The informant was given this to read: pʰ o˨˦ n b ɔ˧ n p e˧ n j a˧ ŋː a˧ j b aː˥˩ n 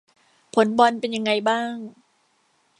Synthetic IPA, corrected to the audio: pʰ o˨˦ n b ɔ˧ n p e˧ n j a˧ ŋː a˧ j b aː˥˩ ŋ